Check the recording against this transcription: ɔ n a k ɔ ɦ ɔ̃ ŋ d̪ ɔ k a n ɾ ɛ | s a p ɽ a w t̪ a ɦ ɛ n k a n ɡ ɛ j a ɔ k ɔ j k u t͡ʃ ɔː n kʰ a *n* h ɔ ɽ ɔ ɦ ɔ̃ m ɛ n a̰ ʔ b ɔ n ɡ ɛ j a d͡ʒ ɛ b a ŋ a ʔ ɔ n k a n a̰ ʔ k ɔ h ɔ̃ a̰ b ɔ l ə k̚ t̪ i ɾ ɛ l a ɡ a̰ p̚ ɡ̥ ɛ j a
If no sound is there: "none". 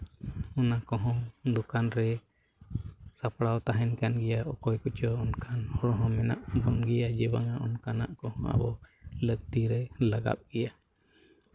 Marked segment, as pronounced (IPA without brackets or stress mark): n